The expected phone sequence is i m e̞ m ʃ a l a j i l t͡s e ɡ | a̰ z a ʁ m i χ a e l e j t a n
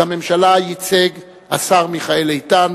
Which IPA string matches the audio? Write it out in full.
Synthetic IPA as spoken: a m e̞ m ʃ a l a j i t͡s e ɡ | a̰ s a ʁ m i χ a e l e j t a n